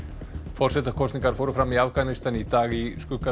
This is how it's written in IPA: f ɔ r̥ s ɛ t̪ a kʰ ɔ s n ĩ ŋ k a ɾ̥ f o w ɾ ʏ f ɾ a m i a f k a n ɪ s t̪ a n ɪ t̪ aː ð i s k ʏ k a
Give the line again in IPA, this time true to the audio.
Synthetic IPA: f ɔ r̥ s ɛ t̪ a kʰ ɔ s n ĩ ŋ k a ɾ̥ f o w ɾ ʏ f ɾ a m i a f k a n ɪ s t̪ a n i t̪ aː ɣ i s k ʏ k a